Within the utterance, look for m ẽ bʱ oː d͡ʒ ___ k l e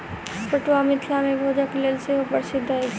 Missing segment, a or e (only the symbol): a